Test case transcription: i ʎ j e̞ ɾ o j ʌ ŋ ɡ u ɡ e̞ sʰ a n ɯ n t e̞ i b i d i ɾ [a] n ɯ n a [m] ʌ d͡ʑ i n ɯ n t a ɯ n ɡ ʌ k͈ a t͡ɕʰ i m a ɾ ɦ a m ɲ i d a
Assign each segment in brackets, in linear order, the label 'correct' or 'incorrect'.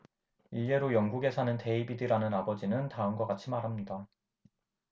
correct, incorrect

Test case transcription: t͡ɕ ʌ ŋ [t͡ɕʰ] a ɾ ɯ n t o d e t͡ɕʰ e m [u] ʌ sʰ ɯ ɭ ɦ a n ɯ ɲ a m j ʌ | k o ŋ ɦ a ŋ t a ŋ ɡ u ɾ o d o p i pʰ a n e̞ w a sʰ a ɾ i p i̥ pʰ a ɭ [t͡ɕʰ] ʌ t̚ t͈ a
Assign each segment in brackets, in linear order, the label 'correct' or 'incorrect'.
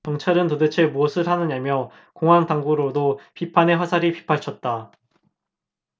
correct, correct, correct

